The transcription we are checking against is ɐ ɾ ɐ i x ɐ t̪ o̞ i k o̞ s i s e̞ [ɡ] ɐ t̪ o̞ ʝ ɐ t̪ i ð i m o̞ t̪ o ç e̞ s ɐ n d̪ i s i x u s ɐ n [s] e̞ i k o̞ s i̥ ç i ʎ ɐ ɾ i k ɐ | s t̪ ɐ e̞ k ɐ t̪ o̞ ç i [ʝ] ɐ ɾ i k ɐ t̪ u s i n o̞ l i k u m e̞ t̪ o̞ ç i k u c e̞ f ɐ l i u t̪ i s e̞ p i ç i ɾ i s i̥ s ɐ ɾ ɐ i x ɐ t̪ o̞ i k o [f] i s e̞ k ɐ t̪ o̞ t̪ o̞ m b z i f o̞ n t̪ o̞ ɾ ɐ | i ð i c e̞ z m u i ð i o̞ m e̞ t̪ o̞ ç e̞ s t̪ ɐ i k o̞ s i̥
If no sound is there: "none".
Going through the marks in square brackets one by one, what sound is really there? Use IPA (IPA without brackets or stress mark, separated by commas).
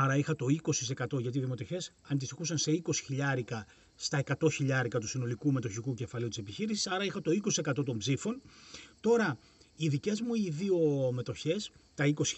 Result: k, s, ʎ, s